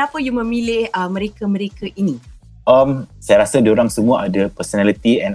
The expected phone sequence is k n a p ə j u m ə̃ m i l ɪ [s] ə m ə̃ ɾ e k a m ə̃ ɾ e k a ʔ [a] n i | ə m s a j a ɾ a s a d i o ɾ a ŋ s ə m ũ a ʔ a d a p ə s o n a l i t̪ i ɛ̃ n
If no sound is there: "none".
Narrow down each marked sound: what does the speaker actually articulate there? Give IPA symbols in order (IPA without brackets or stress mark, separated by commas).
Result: h, i